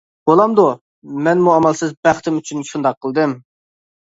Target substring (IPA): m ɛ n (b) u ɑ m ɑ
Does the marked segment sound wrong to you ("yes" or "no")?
yes